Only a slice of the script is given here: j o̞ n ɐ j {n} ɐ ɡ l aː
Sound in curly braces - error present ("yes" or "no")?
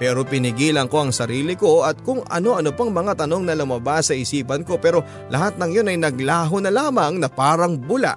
no